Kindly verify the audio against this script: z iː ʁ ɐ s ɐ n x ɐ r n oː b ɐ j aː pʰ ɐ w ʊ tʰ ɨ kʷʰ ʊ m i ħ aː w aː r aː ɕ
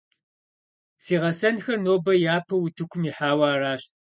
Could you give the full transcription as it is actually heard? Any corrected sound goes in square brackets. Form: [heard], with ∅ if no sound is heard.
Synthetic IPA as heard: [s] iː ʁ ɐ s ɐ n x ɐ r n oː b ɐ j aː pʰ ɐ w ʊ tʰ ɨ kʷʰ ʊ m i ħ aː w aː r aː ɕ